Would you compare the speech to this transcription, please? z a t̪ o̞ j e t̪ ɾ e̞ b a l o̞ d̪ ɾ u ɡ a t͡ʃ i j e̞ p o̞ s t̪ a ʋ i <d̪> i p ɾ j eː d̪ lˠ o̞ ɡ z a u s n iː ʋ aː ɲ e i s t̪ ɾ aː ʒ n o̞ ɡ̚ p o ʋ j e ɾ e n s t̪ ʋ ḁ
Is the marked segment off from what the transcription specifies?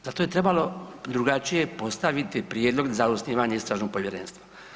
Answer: yes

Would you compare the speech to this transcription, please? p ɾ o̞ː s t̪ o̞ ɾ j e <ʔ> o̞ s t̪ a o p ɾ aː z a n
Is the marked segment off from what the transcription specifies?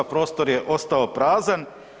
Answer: no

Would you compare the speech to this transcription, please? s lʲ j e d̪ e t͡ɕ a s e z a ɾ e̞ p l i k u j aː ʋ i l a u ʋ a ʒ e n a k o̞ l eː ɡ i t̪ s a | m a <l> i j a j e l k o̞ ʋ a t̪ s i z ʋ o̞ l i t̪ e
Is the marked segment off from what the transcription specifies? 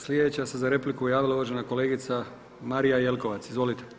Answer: yes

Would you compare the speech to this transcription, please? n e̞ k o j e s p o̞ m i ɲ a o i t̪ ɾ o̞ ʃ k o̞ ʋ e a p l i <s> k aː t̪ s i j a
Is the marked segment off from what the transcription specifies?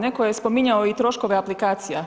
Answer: yes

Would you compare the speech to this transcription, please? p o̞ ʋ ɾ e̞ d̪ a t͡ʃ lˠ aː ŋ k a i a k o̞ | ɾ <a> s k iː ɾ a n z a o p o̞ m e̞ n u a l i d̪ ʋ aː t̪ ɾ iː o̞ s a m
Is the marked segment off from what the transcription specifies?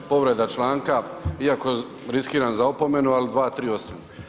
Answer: yes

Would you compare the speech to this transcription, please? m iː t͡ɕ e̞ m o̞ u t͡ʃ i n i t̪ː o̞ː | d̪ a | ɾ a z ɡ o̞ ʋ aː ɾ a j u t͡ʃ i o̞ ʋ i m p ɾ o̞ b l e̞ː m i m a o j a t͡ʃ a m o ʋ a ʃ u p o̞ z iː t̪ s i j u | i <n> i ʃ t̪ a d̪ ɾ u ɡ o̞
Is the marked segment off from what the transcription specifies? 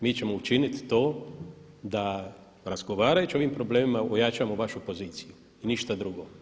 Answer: no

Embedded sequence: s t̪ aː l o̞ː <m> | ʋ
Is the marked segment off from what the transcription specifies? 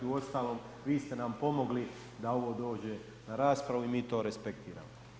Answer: no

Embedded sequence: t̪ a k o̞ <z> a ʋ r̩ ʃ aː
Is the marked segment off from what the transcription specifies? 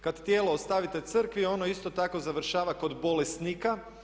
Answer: no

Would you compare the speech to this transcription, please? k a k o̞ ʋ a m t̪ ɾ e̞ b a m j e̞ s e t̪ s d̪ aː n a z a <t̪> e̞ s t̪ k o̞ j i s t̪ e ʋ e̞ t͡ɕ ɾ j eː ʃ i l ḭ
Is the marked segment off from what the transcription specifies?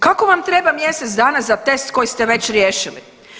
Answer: no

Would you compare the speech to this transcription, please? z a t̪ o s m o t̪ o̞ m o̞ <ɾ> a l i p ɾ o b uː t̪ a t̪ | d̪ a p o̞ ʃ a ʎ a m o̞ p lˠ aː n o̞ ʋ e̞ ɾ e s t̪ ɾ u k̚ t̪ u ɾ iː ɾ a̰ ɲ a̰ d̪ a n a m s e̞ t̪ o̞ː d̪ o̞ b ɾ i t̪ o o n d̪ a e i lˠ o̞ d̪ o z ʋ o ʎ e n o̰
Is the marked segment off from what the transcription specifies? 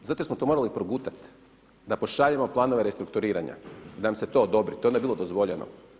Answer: no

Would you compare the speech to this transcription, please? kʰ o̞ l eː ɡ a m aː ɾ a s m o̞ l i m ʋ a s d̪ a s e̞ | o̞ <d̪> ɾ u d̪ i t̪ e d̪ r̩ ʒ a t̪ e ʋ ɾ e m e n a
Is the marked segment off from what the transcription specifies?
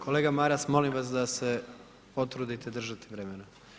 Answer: yes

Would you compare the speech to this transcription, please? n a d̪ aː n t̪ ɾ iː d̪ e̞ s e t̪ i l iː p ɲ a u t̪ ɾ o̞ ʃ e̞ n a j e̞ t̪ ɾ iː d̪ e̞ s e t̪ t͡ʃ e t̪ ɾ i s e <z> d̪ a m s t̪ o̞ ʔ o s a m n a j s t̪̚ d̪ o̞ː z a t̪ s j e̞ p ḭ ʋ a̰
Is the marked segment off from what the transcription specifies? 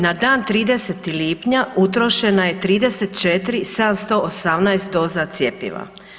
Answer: yes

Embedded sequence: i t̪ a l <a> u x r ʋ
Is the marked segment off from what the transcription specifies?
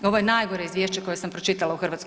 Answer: no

